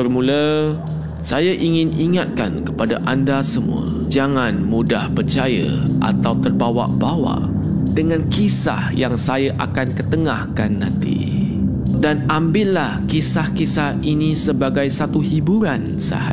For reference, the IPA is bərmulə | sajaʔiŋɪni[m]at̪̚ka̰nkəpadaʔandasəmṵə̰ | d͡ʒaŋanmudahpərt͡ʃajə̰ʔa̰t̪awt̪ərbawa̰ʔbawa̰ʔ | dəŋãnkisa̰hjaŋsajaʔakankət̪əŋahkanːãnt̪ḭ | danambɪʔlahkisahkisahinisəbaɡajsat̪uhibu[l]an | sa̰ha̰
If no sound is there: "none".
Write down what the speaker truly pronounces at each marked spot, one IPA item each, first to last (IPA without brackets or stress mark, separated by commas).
ŋ, ɾ